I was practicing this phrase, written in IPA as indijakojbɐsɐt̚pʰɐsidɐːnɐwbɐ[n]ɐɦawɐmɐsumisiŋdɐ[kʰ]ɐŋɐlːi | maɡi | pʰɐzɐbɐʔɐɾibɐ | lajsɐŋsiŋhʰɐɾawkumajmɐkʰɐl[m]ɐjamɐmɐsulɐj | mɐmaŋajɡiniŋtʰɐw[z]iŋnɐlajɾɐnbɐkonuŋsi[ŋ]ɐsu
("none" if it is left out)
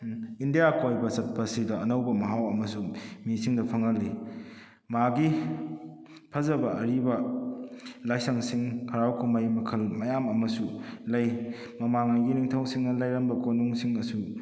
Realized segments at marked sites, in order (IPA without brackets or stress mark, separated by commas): m, pʰ, m, s, ŋ